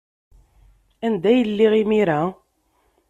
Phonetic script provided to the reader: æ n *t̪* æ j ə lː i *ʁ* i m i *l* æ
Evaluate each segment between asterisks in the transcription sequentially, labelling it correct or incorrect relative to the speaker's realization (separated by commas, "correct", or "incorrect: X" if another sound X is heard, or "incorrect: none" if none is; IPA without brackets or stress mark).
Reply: incorrect: d̪, correct, incorrect: ɾ